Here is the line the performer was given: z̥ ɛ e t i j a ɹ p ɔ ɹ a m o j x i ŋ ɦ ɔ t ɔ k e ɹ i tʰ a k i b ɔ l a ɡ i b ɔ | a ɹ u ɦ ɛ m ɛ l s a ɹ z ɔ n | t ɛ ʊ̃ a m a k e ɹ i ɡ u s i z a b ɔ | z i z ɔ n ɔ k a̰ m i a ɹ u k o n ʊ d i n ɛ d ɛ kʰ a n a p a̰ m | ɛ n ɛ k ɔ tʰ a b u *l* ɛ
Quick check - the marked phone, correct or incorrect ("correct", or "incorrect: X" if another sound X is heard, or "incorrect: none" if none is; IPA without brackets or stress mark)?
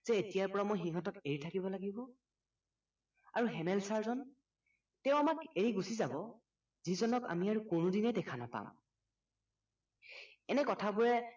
incorrect: ɹ